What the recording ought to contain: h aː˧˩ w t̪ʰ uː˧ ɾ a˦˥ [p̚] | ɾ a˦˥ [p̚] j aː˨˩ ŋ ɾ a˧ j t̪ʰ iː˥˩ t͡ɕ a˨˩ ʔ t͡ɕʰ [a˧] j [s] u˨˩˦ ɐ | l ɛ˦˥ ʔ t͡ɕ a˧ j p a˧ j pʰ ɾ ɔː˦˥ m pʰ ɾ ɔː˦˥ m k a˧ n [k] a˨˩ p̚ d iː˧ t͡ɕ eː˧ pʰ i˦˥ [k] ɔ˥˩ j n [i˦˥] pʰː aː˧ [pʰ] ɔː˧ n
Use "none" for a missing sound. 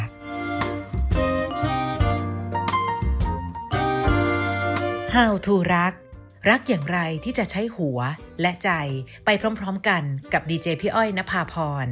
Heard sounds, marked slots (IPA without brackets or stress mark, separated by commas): k̚, k̚, a˦˥, h, k, ʔ, a˦˥, pʰ